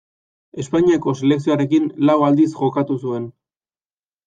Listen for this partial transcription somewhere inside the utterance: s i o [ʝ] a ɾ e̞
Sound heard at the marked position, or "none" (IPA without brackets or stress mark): none